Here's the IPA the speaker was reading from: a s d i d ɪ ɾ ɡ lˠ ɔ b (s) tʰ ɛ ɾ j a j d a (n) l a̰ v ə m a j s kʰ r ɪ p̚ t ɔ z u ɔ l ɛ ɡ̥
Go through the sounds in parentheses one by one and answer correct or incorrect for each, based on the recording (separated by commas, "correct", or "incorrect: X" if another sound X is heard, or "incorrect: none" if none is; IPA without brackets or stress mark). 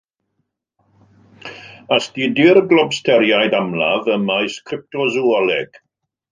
correct, incorrect: m